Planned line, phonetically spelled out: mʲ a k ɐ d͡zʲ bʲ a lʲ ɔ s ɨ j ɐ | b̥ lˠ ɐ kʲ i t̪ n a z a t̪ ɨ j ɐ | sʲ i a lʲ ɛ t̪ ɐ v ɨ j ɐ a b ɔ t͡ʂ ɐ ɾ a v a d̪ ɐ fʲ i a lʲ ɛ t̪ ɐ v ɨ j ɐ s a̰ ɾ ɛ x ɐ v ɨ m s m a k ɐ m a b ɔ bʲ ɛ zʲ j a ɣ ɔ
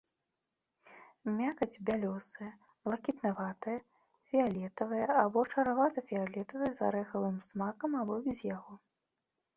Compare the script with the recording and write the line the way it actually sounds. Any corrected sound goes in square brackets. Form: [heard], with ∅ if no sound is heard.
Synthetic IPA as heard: mʲ a k ɐ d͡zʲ bʲ a lʲ ɔ s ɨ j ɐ | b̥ lˠ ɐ kʲ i t̪ n a [v] a t̪ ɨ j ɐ | [fʲ] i a lʲ ɛ t̪ ɐ v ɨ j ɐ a b ɔ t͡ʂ ɐ ɾ a v a [t̪] ɐ fʲ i a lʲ ɛ t̪ ɐ v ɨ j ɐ [z] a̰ ɾ ɛ x ɐ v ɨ m s m a k ɐ m a b ɔ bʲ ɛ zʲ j a ɣ ɔ